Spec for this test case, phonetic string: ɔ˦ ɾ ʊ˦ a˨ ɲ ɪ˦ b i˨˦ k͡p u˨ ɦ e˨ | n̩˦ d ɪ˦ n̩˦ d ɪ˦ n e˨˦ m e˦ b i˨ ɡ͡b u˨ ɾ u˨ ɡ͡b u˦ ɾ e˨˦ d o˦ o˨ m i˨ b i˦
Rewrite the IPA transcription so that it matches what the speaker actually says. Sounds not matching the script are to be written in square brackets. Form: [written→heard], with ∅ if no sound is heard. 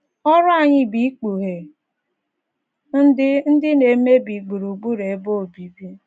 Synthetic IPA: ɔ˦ ɾ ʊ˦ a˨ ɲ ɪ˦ b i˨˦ k͡p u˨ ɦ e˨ | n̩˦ d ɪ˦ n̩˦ d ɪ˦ n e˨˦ m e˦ b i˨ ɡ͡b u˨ ɾ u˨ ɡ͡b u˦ ɾ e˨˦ [d→b] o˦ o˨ [m→b] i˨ b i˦